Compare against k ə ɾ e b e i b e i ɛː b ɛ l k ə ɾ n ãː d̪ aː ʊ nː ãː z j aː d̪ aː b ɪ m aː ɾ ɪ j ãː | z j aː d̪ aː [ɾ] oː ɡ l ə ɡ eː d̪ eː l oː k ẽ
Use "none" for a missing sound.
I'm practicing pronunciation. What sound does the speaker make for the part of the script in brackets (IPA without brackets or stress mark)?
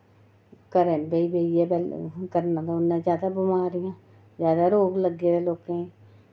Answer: ɾ